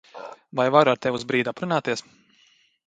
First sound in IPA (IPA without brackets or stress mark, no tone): v